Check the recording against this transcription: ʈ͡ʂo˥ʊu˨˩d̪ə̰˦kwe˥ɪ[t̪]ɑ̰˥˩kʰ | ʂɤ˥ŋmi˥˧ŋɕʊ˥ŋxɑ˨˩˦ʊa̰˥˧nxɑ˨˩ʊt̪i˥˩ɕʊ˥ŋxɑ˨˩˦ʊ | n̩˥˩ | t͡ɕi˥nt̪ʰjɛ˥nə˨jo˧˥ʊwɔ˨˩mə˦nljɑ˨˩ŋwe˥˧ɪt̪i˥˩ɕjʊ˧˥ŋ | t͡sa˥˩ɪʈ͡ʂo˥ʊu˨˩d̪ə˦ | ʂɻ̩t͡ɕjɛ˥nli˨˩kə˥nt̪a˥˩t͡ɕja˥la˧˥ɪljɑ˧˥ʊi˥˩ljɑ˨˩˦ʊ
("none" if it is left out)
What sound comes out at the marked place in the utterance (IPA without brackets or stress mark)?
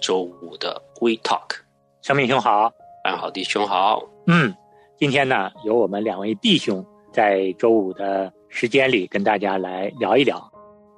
t̪ʰ